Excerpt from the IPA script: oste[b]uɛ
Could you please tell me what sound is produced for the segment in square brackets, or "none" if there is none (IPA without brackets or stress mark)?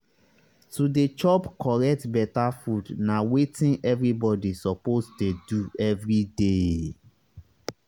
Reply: d